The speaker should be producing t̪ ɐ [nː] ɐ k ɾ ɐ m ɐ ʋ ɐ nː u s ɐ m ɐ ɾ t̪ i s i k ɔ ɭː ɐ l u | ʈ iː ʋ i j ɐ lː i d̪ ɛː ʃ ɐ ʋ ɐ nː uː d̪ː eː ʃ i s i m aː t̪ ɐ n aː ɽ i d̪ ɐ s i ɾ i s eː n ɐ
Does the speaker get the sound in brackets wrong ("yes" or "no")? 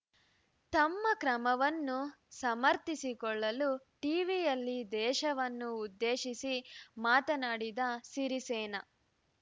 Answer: yes